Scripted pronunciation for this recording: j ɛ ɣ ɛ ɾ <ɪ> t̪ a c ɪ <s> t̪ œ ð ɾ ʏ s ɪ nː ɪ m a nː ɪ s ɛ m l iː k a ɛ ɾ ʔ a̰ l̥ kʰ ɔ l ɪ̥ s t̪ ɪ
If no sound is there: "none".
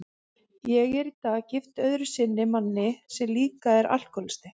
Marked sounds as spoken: i, f

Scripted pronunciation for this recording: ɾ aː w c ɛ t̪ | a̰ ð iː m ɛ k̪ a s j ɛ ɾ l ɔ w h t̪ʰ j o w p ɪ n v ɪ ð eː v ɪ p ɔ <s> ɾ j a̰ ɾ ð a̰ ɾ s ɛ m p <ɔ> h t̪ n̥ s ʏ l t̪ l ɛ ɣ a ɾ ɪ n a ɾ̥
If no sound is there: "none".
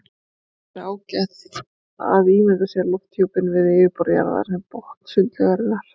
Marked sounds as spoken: none, ɔ

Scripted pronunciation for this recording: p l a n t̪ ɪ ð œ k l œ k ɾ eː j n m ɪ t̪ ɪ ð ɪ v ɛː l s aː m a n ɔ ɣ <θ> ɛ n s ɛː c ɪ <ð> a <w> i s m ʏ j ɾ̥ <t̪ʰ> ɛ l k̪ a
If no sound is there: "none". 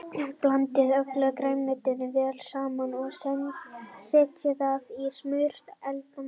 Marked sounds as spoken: s, ð, v, t̪

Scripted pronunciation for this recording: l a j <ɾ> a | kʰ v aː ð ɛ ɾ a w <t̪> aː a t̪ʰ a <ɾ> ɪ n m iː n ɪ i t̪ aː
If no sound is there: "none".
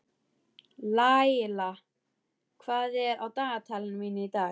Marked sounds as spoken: l, t̪, l

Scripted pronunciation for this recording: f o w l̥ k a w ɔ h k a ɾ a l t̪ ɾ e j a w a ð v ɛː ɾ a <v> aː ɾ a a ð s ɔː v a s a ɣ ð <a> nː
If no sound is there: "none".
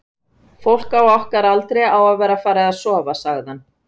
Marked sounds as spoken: f, a

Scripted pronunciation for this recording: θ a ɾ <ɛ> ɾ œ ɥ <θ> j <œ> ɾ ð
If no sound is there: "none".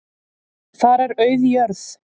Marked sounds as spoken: ɛ, ð, œ

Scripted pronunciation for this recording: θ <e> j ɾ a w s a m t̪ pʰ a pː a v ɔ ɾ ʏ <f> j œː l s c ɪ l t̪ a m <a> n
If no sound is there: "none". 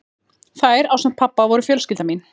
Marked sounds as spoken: a, f, i

